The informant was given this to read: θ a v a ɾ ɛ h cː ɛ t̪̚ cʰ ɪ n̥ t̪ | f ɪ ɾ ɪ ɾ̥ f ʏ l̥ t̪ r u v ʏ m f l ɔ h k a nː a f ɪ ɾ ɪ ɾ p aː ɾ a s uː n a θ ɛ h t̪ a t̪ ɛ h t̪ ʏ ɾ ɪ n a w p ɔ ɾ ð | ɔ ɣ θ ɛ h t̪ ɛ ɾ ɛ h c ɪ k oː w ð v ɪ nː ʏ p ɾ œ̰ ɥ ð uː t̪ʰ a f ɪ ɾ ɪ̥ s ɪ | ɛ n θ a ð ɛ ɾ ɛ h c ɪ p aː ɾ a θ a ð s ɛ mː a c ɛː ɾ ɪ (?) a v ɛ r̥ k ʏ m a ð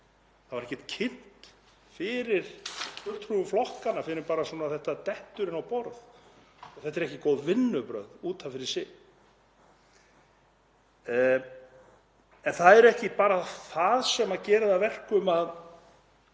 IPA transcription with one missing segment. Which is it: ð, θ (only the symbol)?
ð